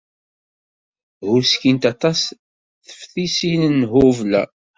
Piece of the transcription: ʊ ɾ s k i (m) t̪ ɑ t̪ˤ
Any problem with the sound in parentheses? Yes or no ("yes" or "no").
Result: yes